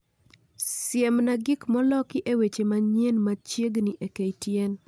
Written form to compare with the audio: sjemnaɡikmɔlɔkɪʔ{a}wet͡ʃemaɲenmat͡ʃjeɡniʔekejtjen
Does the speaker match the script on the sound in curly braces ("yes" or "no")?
no